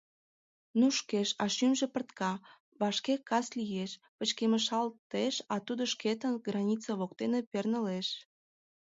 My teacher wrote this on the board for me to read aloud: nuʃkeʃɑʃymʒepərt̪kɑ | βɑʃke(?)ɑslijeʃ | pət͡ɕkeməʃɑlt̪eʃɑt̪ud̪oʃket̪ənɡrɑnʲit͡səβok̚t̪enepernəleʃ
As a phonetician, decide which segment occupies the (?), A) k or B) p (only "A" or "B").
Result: A